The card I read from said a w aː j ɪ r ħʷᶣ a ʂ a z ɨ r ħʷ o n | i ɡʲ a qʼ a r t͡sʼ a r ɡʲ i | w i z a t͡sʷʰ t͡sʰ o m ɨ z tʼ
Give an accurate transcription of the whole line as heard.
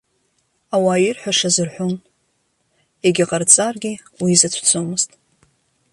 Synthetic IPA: a w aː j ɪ r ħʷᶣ a ʂ a z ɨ r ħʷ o n | e ɡʲ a qʼ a r t͡sʼ a r ɡʲ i | w i z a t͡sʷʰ t͡sʰ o m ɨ z tʼ